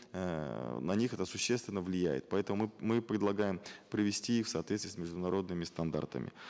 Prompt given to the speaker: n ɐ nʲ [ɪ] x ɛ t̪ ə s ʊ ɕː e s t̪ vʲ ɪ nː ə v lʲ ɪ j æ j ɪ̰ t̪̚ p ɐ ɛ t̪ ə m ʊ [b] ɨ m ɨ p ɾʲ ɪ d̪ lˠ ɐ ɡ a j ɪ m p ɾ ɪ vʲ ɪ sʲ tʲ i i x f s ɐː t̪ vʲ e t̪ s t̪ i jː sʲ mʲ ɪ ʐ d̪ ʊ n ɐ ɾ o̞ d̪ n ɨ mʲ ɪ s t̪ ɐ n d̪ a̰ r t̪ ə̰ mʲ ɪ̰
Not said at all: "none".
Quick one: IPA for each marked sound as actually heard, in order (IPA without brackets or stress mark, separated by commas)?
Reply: i, m